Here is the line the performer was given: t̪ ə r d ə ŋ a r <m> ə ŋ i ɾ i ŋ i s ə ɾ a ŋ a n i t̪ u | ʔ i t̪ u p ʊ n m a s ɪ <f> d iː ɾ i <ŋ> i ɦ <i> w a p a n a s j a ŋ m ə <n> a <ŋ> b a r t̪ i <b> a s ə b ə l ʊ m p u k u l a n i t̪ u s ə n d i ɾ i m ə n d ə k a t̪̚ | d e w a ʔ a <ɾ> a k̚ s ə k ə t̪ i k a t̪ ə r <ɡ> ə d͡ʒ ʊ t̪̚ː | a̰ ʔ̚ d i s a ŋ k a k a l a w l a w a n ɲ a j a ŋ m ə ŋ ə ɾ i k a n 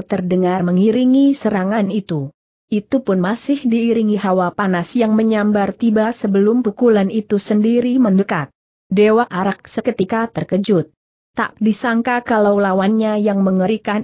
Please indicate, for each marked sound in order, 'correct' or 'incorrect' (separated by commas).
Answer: correct, incorrect, correct, incorrect, incorrect, incorrect, correct, correct, incorrect